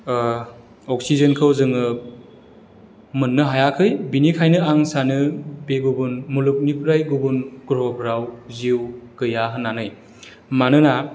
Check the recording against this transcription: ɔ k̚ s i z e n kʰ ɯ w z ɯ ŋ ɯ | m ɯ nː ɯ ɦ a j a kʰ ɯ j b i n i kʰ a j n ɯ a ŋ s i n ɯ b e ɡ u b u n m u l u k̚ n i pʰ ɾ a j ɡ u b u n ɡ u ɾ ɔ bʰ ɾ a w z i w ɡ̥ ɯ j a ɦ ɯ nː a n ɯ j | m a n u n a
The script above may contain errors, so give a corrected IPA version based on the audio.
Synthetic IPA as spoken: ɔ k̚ s i z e n kʰ ɯ w z ɯ ŋ ɯ | m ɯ nː ɯ ɦ a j a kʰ ɯ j b i n i kʰ a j n ɯ a ŋ s a n ɯ b e ɡ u b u n m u l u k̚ n i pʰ ɾ a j ɡ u b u n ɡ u ɾ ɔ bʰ ɾ a w z i w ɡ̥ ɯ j a ɦ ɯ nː a n ɯ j | m a n ɯ n a